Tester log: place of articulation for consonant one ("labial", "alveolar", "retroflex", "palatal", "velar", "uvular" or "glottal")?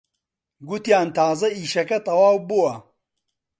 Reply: velar